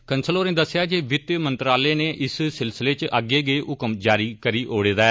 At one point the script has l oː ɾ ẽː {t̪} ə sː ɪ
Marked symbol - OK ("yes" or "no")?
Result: no